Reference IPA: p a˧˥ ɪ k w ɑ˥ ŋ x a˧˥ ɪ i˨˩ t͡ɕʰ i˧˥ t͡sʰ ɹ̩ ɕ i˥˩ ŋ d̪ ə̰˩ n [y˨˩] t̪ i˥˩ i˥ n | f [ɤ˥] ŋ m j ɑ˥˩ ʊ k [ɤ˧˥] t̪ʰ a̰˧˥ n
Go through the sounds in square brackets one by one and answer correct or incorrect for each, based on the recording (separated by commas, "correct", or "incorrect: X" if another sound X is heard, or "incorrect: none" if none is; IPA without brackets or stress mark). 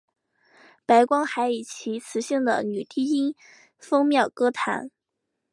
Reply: correct, correct, incorrect: ɤ˥